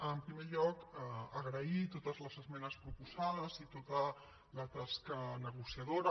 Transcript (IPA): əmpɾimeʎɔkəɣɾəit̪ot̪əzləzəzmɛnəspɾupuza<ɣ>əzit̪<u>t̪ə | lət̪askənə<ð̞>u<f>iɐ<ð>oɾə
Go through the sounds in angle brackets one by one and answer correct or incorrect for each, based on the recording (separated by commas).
incorrect, incorrect, incorrect, incorrect, correct